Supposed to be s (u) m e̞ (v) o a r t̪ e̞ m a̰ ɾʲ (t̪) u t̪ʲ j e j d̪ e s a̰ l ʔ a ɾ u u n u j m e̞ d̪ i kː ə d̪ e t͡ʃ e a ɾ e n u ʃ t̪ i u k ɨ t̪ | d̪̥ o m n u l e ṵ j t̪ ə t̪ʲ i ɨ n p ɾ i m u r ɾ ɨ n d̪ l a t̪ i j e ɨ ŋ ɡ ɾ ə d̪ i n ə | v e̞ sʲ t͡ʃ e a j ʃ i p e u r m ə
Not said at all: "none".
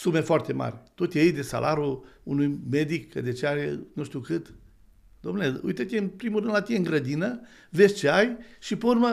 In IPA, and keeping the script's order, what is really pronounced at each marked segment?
u, f, t̪

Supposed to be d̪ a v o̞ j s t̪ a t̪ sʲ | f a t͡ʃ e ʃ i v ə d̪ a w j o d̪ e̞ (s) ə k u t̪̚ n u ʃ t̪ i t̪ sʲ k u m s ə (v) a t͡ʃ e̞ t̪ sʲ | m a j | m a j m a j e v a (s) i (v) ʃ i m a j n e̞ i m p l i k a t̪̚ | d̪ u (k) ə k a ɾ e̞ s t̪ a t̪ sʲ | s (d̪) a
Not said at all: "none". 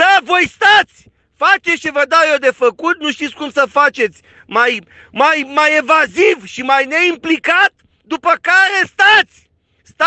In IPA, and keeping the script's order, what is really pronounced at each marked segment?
f, f, z, v, p, t̪

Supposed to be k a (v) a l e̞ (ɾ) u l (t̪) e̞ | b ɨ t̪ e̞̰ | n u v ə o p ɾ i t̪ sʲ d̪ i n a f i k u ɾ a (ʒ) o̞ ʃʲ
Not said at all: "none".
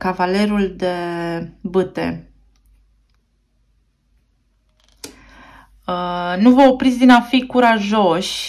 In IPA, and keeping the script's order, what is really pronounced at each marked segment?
v, ɾ, d̪, ʒ

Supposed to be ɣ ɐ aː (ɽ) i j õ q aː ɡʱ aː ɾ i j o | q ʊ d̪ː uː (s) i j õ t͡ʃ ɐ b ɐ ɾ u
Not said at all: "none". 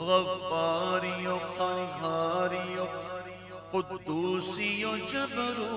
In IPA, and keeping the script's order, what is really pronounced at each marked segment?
ɾ, s

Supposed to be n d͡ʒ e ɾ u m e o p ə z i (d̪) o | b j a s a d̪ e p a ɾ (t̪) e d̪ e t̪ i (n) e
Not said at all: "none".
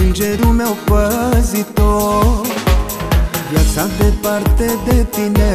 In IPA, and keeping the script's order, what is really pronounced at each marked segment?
t̪, t̪, n

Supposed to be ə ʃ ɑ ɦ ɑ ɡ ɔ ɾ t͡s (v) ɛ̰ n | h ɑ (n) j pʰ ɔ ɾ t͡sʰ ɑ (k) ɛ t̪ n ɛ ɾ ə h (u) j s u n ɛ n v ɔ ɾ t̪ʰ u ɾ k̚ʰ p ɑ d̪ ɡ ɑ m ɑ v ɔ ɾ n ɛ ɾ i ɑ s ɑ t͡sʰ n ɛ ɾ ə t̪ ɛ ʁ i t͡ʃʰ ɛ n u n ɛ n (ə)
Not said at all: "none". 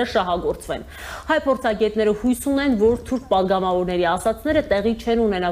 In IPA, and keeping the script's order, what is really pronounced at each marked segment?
v, none, ɡ, u, ɑ

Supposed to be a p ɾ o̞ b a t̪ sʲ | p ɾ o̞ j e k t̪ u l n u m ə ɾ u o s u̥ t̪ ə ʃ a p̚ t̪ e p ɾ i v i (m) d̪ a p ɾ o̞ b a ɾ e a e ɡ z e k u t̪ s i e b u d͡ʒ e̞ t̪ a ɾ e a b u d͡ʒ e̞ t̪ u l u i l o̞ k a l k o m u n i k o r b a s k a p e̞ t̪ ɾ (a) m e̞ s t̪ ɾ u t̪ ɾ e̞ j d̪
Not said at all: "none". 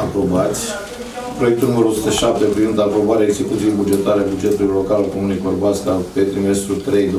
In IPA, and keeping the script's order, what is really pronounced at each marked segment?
n, i

